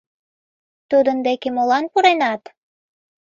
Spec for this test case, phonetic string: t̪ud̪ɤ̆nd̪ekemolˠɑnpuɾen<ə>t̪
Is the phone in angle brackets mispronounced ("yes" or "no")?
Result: yes